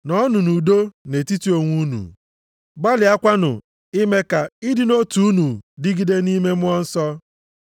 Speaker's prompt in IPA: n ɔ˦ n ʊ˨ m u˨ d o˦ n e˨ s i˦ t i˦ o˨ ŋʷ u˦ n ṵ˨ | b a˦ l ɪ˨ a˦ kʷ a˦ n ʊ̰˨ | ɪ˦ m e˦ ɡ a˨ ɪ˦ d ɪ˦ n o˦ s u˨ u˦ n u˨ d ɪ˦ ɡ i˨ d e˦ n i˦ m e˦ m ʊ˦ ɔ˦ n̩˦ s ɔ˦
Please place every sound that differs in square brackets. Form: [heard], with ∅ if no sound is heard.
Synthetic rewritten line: n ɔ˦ n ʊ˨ [n] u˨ d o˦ n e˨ [t] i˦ t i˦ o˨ ŋʷ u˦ n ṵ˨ | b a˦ l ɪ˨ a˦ kʷ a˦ n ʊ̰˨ | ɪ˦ m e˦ [k] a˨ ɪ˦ d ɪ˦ n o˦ [t] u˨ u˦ n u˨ d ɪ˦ ɡ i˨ d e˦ n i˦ m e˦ m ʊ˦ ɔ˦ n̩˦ s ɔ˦